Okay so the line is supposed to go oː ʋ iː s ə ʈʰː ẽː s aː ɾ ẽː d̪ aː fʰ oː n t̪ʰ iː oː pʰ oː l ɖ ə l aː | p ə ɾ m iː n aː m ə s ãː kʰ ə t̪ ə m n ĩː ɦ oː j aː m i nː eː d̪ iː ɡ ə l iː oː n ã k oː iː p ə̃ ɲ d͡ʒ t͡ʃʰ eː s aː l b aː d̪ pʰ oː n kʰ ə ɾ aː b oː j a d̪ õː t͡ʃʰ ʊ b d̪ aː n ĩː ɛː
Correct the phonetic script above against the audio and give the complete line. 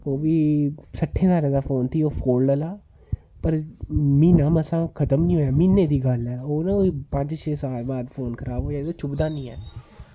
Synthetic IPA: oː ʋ iː s ə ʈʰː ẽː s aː ɾ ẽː d̪ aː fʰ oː n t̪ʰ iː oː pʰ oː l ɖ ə l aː | p ə ɾ m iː n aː m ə s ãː kʰ ə t̪ ə m n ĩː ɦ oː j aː m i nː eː d̪ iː ɡ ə l ɛː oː n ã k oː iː p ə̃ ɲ d͡ʒ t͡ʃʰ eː s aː l b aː d̪ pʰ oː n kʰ ə ɾ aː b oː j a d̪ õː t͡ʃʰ ʊ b d̪ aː n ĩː ɛː